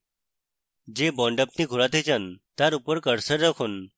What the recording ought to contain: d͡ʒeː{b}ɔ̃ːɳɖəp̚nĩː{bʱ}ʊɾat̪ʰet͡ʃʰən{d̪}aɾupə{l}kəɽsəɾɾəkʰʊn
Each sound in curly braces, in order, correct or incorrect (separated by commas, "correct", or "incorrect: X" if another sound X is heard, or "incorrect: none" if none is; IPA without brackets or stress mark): correct, incorrect: ɡʱ, incorrect: t̪, incorrect: ɾ